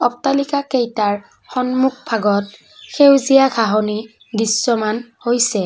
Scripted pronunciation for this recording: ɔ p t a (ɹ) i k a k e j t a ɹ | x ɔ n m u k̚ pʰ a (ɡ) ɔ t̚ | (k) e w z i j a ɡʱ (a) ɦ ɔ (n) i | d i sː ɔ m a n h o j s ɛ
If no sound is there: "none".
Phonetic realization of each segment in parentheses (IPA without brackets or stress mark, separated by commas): l, ɡ, x, a, n